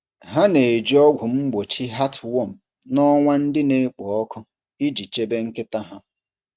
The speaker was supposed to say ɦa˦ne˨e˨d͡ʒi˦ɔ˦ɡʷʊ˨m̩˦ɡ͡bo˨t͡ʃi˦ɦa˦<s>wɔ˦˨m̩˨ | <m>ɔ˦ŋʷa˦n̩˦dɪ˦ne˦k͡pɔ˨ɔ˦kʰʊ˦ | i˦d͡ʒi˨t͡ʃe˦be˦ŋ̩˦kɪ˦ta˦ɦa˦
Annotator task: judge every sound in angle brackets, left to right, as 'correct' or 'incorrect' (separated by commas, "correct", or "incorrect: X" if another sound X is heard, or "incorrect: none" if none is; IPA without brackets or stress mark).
incorrect: t, incorrect: n